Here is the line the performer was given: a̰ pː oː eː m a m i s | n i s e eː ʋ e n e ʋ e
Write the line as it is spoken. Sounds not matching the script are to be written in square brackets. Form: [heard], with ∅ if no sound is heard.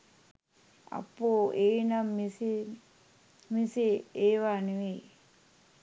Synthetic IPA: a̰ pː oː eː [n] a m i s | [m] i s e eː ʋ [a] n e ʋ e